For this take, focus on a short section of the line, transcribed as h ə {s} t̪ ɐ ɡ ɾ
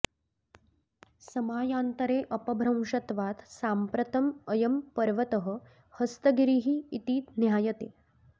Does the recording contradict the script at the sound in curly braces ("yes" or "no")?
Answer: no